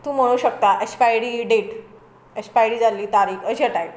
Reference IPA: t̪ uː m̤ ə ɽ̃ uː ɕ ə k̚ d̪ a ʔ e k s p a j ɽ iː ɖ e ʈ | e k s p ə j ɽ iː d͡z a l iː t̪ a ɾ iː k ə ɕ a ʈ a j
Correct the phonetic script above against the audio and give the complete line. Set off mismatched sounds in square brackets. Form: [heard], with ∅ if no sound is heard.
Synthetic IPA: t̪ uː m̤ ə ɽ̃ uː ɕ ə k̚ [t̪] a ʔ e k s p a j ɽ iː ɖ e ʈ | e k s p [a] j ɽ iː d͡z a l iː t̪ a ɾ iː k ə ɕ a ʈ a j